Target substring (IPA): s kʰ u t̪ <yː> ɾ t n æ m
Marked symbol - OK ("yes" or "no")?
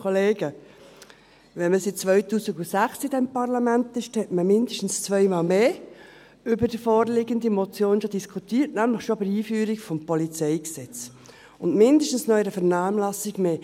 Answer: no